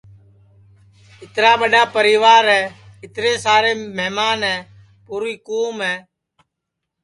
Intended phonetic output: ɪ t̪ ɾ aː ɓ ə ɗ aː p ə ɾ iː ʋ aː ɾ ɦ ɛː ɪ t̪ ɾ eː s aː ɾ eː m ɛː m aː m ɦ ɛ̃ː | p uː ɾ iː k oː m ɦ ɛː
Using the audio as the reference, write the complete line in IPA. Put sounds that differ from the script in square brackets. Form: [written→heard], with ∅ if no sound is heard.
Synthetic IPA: ɪ t̪ ɾ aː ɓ ə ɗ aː p ə ɾ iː ʋ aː ɾ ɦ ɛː ɪ t̪ ɾ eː s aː ɾ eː m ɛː m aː [m→n] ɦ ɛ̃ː | p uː ɾ iː k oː m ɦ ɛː